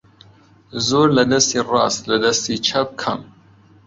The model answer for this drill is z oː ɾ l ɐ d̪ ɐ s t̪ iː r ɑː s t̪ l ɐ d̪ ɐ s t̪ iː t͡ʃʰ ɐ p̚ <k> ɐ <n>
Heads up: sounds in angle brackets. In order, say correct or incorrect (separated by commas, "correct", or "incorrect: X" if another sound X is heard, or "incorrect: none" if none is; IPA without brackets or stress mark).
incorrect: kʰ, incorrect: m